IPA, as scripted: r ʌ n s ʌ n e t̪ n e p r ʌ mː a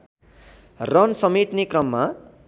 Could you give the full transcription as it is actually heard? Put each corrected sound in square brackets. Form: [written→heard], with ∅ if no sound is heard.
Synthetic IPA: r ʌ n s ʌ [n→m] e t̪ n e [p→k] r ʌ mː a

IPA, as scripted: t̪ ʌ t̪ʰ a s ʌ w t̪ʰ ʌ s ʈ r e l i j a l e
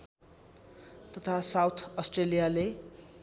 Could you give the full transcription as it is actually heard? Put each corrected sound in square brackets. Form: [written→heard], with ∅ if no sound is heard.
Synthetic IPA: t̪ ʌ t̪ʰ a s [ʌ→a] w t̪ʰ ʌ s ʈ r e l i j a l e

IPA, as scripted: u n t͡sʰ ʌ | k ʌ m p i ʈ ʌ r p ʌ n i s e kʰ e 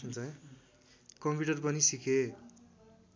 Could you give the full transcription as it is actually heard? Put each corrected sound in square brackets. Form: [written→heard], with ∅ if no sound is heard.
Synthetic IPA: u n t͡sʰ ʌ | k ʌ m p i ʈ ʌ r p ʌ n i s [e→i] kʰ e

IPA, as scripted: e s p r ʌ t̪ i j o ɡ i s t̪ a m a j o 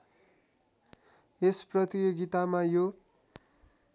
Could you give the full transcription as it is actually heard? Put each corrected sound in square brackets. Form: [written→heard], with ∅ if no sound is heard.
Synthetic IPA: e s p r ʌ t̪ i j o ɡ i [s→∅] t̪ a m a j o

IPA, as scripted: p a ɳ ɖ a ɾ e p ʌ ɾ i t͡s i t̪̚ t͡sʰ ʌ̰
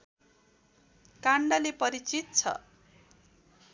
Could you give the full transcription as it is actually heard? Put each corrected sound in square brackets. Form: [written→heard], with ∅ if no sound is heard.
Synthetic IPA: [p→k] a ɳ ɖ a [ɾ→l] e p ʌ ɾ i t͡s i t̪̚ t͡sʰ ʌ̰

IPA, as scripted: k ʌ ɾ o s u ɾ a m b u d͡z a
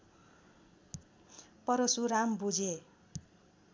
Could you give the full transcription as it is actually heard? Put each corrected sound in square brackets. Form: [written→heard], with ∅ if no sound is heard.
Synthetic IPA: [k→p] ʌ ɾ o s u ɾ a m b u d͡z [a→e]

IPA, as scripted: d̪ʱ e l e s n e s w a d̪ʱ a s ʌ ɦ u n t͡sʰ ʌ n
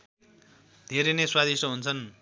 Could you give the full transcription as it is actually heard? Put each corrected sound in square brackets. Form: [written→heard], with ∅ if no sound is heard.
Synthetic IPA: d̪ʱ e [l→ɾ] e [s→∅] n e s w a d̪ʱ [a→i] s ʌ ɦ u n t͡sʰ ʌ n

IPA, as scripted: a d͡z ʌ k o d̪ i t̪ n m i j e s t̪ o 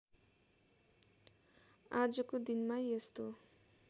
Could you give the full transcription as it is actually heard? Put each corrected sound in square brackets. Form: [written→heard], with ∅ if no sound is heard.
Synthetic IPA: a d͡z ʌ k o d̪ i [t̪→∅] n m [i→a] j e s t̪ o

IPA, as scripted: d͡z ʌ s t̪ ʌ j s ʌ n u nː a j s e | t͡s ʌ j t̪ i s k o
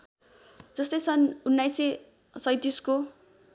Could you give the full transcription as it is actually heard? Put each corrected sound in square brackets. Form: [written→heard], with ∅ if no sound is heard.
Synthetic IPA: d͡z ʌ s t̪ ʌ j s ʌ n u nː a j s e | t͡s ʌ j t̪ i s k o

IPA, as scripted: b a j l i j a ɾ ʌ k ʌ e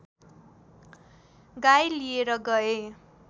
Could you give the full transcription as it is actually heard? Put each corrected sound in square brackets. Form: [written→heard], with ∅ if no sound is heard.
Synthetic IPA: [b→ɡ] a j l i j [a→e] ɾ ʌ [k→ɡ] ʌ e

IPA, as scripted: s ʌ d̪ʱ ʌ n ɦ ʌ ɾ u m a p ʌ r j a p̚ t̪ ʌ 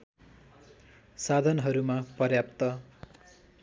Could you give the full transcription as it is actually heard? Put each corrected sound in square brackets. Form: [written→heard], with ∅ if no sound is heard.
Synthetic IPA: s [ʌ→a] d̪ʱ ʌ n ɦ ʌ ɾ u m a p ʌ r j a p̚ t̪ ʌ

